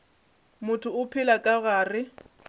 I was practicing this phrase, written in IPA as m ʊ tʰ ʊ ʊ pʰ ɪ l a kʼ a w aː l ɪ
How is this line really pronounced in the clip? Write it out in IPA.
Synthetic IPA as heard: m ʊ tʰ ʊ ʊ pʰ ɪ l a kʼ a ɣ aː r ɪ